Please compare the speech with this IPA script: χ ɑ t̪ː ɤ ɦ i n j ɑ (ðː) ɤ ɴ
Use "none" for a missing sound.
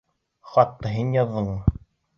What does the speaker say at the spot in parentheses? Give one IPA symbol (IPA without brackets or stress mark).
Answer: ðː